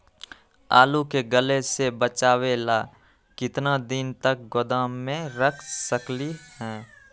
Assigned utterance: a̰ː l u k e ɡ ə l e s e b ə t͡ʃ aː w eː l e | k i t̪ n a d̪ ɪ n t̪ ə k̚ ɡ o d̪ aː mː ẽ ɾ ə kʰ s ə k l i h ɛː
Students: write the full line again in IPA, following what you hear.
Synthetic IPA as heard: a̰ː l u k e ɡ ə l e s e b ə t͡ʃ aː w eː l a | k ɪ t̪ n a d̪ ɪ n t̪ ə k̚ ɡ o d̪ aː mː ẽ ɾ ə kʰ s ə k l i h ɛː